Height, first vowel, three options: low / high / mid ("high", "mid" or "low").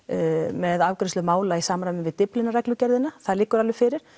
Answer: mid